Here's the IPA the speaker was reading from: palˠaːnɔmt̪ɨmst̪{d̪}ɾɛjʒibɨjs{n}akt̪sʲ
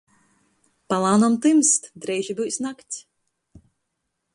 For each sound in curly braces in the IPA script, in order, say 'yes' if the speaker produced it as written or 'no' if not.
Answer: yes, yes

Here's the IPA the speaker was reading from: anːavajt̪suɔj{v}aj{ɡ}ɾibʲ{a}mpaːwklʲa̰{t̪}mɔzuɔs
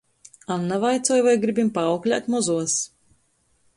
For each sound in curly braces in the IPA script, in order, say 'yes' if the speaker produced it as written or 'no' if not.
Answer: yes, yes, no, yes

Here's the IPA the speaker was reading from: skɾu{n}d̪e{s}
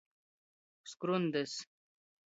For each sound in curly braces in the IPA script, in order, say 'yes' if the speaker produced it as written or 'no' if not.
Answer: yes, yes

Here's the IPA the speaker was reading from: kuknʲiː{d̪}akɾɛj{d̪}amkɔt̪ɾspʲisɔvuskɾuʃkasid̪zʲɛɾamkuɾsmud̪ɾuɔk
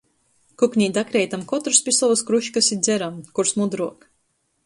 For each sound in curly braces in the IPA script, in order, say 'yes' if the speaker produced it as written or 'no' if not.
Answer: yes, no

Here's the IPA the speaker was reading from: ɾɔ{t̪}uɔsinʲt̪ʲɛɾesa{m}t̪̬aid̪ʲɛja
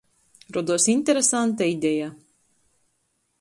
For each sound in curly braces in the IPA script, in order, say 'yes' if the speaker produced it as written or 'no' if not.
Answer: no, no

